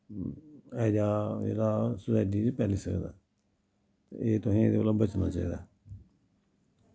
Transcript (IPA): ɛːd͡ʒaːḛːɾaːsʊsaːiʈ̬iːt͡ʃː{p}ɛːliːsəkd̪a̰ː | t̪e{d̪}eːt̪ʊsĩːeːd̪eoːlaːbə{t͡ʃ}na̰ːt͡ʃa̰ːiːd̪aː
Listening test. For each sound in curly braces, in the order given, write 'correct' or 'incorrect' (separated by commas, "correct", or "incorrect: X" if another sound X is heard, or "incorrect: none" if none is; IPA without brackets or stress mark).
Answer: correct, incorrect: none, correct